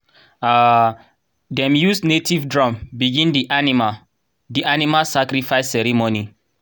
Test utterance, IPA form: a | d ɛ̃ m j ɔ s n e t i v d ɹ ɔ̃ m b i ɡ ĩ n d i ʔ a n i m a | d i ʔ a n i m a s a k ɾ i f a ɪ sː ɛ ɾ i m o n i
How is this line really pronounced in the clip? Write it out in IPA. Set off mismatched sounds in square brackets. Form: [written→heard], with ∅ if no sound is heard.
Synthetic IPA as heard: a | d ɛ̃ m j [ɔ→u] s n e t i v d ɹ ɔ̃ m b i ɡ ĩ n d i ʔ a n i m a | d i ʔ a n i m a s a k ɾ i f a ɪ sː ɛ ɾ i m o n i